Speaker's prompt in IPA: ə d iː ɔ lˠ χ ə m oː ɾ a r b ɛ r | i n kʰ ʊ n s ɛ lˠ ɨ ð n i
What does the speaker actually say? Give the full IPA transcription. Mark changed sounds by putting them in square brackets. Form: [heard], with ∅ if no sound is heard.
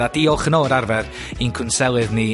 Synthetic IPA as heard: [a] d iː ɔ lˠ χ ə [n] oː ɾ a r [v] ɛ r | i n kʰ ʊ n s ɛ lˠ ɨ ð n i